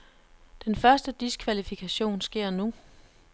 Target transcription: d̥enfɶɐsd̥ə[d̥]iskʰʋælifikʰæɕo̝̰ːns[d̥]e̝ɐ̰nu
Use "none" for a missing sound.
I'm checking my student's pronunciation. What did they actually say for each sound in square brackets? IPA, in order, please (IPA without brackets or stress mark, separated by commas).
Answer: d̥, ɡ̥